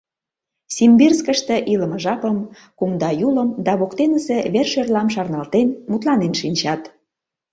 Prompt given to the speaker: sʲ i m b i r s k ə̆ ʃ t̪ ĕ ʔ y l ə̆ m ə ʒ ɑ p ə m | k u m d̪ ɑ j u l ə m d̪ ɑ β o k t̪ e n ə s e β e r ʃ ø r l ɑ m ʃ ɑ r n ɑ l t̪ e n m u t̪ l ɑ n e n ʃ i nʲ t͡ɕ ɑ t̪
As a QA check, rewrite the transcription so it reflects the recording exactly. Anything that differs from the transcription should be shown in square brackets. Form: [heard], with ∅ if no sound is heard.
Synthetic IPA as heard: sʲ i m b i r s k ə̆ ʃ t̪ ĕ ʔ [i] l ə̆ m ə ʒ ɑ p ə m | k u m d̪ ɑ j u l ə m d̪ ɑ β o k t̪ e n ə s e β e r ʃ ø r l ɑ m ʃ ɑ r n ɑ l t̪ e n m u t̪ l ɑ n e n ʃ i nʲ t͡ɕ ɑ t̪